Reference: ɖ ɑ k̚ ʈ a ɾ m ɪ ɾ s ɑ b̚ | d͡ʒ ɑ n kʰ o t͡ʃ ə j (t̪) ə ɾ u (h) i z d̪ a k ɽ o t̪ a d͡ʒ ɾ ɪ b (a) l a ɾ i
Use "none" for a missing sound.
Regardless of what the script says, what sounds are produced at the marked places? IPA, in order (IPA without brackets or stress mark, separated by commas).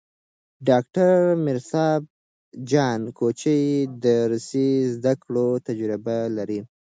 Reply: d̪, s, a